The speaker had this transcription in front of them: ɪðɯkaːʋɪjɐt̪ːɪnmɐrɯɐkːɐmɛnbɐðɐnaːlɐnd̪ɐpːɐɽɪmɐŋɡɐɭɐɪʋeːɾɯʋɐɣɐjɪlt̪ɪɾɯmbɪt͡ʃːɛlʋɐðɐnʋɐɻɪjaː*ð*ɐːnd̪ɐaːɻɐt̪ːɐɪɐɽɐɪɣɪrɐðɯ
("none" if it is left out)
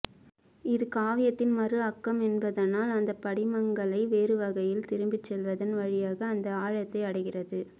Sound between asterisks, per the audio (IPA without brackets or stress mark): ɣ